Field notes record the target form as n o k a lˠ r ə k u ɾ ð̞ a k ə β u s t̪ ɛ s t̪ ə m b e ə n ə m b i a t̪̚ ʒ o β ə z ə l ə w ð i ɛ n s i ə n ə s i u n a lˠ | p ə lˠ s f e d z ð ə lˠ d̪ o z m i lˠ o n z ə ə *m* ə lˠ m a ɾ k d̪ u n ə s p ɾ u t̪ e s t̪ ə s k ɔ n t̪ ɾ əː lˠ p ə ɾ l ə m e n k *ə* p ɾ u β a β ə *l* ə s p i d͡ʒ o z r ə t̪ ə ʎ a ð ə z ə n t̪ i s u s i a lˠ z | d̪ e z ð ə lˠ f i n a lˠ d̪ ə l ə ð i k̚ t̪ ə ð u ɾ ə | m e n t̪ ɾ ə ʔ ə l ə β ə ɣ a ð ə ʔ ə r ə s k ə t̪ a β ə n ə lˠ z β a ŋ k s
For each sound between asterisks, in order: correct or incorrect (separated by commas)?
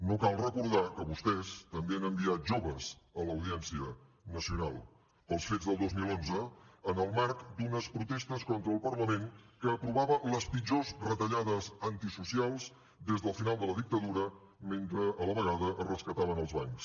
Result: incorrect, incorrect, correct